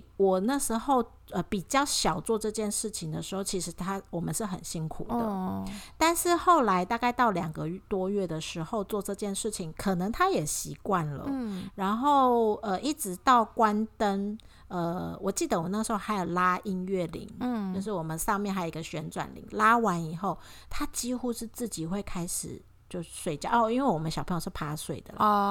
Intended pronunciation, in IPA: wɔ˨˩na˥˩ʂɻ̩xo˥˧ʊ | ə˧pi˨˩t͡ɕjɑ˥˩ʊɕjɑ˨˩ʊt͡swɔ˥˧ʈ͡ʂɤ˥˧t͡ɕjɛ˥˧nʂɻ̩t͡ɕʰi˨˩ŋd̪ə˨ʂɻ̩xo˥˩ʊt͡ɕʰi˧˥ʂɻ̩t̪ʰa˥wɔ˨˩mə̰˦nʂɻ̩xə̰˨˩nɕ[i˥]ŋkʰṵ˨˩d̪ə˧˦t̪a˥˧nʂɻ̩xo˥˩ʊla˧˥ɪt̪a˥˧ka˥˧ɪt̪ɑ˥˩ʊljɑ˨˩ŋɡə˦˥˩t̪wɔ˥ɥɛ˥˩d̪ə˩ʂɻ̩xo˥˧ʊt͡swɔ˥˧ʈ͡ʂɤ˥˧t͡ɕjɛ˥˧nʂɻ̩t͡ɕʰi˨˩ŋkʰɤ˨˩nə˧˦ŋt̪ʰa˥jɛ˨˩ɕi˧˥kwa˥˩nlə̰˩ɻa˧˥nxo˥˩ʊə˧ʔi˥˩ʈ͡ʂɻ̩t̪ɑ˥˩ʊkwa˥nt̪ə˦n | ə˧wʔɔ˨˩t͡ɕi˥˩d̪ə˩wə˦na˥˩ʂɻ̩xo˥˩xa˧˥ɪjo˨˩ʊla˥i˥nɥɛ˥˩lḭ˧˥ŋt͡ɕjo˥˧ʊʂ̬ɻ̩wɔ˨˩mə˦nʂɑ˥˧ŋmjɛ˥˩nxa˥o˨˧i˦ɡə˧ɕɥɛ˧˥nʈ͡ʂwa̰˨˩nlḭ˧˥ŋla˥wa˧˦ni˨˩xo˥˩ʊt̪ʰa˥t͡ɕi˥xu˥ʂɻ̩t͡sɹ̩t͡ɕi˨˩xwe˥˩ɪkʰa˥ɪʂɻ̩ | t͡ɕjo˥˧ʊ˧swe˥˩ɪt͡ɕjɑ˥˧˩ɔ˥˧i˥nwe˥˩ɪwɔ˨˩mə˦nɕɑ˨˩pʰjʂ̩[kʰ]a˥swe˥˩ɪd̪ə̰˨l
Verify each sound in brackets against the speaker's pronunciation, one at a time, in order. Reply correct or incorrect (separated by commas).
correct, incorrect